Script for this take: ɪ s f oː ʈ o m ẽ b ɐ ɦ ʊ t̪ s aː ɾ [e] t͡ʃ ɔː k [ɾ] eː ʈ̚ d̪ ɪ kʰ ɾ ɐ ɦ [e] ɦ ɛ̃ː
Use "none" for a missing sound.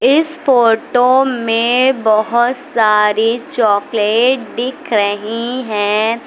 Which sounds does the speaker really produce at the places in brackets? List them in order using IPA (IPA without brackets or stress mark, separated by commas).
i, l, i